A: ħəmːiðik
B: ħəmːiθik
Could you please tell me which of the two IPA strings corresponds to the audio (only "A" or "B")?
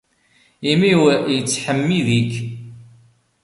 A